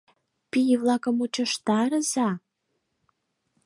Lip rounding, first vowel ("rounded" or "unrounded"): unrounded